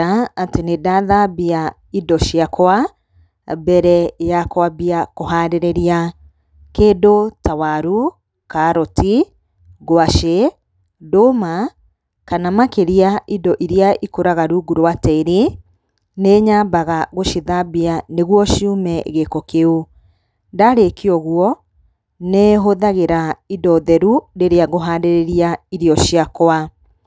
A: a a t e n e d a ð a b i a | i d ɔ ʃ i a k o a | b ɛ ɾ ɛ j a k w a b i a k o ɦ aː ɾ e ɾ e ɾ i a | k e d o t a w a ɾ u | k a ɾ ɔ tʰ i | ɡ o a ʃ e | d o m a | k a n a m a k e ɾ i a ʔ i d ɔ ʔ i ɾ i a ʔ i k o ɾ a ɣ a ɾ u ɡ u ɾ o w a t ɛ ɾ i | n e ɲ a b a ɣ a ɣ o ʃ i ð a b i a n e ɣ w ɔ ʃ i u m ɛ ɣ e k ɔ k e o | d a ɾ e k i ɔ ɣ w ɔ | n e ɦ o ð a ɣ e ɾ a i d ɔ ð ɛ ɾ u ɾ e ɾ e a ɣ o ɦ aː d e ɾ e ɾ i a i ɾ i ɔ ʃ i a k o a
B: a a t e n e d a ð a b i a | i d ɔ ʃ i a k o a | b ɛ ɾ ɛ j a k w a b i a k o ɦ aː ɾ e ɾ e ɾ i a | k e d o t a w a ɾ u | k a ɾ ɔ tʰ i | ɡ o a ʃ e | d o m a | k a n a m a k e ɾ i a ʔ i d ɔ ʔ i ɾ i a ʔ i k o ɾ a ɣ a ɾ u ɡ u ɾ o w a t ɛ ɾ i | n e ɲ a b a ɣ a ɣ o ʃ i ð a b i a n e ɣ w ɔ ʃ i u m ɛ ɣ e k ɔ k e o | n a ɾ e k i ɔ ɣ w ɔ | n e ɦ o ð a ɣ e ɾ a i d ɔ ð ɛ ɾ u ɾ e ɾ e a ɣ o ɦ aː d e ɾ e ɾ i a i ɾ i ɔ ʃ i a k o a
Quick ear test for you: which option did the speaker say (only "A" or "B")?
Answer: A